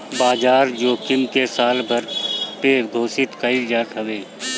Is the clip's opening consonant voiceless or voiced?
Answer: voiced